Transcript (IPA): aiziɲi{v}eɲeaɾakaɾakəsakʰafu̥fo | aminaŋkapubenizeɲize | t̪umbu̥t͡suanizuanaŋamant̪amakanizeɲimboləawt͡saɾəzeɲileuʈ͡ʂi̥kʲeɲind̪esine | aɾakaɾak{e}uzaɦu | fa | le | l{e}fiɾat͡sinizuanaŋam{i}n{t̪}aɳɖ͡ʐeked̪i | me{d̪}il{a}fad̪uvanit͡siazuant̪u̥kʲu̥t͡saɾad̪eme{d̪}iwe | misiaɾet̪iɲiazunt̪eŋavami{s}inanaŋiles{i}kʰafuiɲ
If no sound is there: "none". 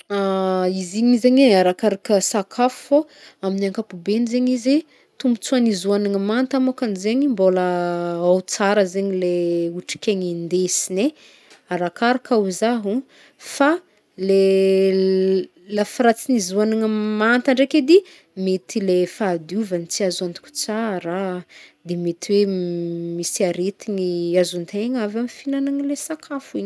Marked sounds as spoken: z, a, a, a, t̪, t̪, e, t̪, f, a

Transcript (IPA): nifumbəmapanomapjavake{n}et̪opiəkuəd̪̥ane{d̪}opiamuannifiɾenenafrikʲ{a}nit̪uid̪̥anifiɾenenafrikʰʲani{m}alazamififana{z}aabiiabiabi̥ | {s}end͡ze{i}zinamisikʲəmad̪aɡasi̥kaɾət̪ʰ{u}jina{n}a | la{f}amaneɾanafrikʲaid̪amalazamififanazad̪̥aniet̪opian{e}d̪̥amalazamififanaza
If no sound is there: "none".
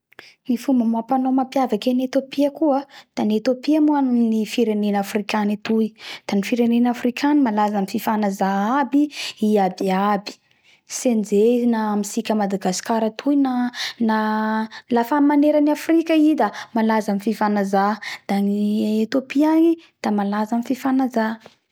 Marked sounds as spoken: n, t̪, a, m, z, s, i, u, n, f, i

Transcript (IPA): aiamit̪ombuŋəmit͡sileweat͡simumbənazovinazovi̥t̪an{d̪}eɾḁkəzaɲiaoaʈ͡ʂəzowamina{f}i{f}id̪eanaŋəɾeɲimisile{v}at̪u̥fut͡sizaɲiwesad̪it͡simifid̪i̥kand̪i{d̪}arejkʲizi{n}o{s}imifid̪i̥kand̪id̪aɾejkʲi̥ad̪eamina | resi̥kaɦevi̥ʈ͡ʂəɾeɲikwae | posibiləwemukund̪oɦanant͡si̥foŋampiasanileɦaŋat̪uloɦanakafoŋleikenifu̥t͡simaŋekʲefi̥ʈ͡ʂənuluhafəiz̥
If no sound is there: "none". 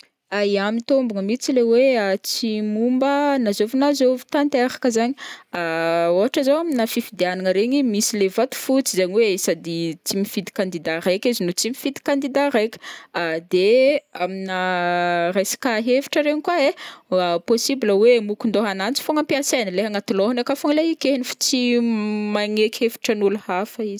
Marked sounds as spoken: t̪, f, f, v, d̪, n, t͡s

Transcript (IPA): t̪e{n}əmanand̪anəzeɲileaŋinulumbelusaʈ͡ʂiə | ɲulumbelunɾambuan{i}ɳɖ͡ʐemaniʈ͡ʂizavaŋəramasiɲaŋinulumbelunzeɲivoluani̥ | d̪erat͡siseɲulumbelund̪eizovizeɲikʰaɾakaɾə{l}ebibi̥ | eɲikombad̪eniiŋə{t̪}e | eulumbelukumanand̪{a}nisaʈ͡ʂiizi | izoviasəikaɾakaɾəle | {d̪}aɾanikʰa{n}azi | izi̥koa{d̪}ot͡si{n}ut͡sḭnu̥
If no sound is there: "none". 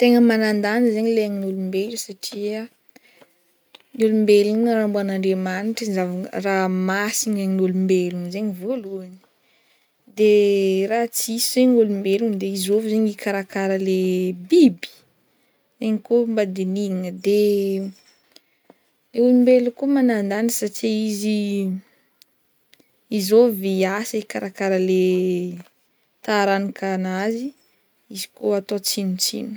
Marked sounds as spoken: ŋ, a, l, d̪, a, t̪, n, t̪, n

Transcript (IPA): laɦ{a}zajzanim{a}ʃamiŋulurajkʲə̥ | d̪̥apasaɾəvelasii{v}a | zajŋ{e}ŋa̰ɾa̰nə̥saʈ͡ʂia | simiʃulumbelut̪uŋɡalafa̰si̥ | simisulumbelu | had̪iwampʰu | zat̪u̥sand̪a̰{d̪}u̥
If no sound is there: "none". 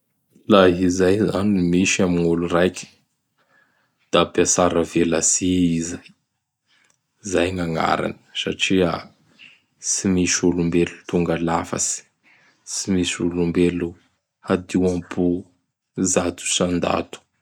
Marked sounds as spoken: i, i, z, a, t̪

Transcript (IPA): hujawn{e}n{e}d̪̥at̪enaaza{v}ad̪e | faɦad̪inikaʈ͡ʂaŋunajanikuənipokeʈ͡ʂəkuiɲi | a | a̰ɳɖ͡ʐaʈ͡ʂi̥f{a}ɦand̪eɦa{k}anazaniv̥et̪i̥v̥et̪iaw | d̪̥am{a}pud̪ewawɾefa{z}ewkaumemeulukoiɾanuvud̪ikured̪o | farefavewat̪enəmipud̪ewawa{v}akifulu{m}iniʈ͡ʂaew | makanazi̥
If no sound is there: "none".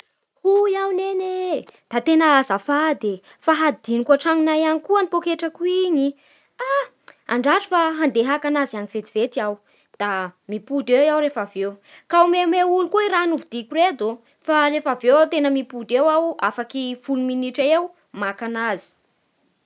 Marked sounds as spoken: e, e, f, a, k, i, v, f, m

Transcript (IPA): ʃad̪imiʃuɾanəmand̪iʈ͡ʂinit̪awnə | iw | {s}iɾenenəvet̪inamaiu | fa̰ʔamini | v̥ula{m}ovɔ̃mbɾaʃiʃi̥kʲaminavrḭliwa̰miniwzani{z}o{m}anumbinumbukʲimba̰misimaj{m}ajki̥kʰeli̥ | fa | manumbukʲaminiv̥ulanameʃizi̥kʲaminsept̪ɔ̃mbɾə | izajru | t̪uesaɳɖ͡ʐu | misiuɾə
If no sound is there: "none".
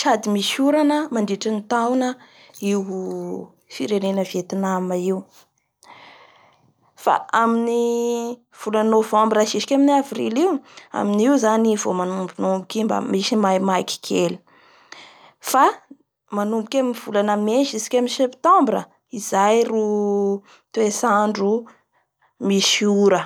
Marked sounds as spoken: f, n, v, m, m

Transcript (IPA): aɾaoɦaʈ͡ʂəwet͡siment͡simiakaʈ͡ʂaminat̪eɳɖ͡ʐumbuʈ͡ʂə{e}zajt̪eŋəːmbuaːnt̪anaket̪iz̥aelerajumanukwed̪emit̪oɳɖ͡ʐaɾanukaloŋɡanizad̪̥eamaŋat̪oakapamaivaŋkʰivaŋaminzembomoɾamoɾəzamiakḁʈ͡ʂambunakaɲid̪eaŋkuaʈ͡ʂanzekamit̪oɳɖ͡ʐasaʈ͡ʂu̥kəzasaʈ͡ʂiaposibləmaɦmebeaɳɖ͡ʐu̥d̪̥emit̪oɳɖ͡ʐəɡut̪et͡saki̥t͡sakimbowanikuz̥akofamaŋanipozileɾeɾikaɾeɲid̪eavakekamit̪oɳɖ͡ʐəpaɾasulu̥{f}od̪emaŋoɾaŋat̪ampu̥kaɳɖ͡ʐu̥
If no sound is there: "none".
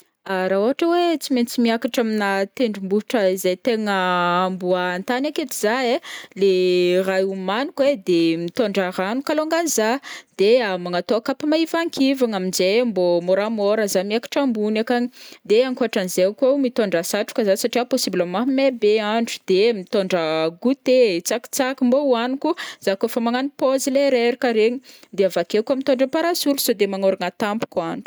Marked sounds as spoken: i, s

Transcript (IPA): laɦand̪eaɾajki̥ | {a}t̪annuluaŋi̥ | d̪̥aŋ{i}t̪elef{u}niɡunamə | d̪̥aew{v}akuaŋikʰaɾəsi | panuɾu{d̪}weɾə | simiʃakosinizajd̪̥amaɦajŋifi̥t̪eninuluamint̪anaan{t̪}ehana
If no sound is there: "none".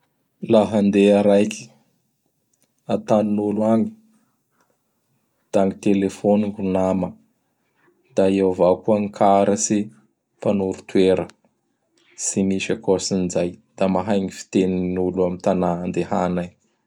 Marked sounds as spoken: a, i, o, v, t̪, d̪

